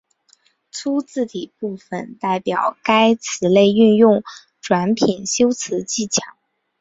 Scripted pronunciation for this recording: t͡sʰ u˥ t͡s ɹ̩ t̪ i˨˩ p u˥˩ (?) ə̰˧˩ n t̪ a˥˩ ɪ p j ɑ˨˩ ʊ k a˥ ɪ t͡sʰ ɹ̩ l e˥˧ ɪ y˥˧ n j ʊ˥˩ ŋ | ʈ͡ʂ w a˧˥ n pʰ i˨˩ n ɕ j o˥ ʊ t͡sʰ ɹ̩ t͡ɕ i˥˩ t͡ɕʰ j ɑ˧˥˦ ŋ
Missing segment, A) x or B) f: B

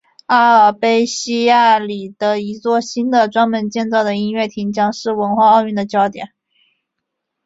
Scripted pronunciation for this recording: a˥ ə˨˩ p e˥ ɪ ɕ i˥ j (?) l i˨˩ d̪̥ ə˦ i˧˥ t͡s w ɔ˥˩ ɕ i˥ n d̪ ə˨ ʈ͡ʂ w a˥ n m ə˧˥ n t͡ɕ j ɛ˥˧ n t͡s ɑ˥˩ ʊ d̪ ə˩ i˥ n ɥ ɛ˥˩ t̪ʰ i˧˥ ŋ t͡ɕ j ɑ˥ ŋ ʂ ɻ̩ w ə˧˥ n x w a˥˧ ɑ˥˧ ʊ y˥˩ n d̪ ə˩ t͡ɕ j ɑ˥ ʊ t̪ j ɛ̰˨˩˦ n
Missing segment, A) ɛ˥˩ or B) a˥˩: B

